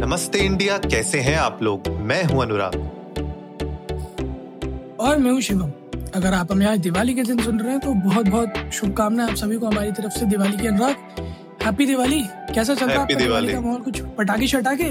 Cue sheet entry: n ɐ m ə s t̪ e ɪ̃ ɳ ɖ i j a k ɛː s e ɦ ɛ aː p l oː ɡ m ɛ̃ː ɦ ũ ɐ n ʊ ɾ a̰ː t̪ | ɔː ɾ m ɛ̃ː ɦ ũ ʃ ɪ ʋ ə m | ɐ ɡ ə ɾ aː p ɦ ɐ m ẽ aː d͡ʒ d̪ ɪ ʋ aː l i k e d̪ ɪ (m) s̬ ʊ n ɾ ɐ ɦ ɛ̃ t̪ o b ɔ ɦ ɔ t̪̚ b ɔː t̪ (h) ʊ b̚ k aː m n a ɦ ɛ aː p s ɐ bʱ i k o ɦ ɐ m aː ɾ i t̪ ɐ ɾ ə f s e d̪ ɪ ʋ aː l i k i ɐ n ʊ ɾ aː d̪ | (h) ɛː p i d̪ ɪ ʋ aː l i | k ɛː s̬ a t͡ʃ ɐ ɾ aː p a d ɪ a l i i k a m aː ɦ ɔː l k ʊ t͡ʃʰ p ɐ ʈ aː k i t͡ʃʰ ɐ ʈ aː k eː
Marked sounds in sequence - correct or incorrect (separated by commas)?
incorrect, incorrect, correct